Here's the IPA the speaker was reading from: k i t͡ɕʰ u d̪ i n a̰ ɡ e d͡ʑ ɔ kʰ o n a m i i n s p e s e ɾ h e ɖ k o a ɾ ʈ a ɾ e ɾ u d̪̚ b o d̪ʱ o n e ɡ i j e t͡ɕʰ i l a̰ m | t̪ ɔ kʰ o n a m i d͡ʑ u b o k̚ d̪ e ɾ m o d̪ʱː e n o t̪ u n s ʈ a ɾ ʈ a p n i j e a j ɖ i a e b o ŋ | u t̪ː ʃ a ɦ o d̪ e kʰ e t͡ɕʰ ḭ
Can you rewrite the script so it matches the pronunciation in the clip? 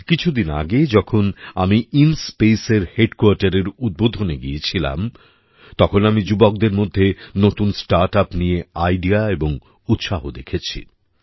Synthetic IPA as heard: k i t͡ɕʰ u d̪ i n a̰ ɡ e d͡ʑ ɔ kʰ o n a m i i n s p e s e ɾ h e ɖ k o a ɾ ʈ a ɾ e ɾ u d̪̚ b o d̪ʱ o n e ɡ i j e t͡ɕʰ i l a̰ m | t̪ ɔ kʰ o n a m i d͡ʑ u b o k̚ d̪ e ɾ m o d̪ʱː e n o t̪ u n s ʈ a ɾ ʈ a p n i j e a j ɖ i a e b o ŋ | u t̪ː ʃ a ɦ o d̪ e kʰ e t͡ɕʰ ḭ